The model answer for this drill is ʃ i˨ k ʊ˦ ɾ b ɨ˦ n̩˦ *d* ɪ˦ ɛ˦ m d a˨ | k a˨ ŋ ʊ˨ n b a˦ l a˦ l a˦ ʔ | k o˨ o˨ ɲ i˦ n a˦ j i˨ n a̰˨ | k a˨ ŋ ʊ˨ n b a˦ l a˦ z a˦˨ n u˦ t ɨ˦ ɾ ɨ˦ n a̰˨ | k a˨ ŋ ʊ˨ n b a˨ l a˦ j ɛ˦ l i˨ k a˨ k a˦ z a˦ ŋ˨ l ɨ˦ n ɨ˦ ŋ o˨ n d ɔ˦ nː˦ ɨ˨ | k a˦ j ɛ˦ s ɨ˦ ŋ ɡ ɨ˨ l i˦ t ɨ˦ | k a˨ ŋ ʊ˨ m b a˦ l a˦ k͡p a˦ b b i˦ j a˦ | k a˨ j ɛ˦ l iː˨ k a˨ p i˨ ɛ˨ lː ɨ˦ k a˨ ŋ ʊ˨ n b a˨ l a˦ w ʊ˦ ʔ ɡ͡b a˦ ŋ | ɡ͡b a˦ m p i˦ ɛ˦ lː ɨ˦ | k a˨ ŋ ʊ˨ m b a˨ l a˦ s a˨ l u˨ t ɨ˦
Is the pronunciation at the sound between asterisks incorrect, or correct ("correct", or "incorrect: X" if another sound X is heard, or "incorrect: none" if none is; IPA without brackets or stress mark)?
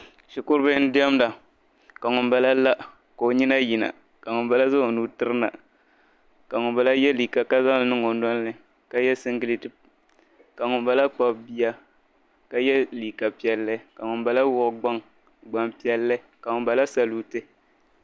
correct